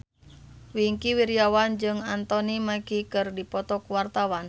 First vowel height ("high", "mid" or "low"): high